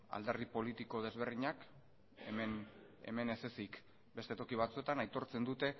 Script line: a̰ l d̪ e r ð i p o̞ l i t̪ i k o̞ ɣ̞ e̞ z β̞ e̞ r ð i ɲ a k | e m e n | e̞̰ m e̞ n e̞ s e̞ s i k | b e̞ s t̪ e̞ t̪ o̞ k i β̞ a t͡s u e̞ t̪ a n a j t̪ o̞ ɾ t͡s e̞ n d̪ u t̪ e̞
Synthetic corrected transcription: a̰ l d̪ e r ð i p o̞ l i t̪ i k o̞ ð̞ e̞ z β̞ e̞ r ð i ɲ a k | e m e n | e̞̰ m e̞ n e̞ s e̞ s i k | b e̞ s t̪ e̞ t̪ o̞ k i β̞ a t͡s u e̞ t̪ a n a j t̪ o̞ ɾ t͡s e̞ n d̪ u t̪ e̞